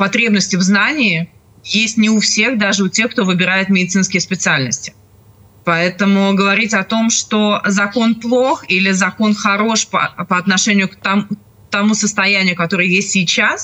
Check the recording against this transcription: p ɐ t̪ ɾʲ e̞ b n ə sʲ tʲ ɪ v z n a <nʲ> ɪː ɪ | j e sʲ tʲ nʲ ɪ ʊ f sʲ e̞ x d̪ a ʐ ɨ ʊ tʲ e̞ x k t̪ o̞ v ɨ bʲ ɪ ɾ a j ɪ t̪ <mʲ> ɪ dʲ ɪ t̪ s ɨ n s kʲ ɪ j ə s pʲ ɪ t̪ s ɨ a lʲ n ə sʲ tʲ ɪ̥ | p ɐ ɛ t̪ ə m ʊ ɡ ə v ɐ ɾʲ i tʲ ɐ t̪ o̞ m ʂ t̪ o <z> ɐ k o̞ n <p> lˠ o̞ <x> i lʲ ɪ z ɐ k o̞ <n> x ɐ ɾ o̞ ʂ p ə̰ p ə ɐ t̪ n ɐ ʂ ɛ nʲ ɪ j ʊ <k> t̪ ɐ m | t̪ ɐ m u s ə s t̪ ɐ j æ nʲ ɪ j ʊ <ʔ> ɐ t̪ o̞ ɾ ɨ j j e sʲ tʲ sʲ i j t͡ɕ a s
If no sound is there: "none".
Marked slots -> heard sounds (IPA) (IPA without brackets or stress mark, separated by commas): nʲ, mʲ, z, p, x, n, k, k